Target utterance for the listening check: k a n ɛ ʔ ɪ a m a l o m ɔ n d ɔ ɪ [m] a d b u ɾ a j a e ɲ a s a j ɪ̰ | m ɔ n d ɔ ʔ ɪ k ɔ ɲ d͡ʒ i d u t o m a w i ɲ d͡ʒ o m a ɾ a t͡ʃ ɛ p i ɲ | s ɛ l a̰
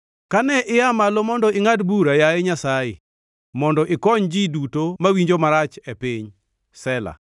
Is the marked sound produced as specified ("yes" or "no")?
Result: no